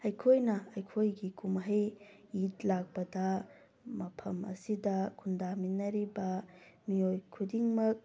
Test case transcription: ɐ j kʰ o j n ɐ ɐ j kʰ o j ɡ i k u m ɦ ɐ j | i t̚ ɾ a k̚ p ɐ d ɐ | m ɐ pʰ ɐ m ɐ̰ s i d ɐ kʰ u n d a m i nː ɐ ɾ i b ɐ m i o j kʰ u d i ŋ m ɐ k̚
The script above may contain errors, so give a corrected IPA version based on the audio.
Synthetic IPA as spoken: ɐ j kʰ o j n ɐ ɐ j kʰ o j ɡ i k u m ɦ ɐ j | i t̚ l a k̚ p ɐ d ɐ | m ɐ pʰ ɐ m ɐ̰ s i d ɐ kʰ u n d a m i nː ɐ ɾ i b ɐ m i o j kʰ u d i ŋ m ɐ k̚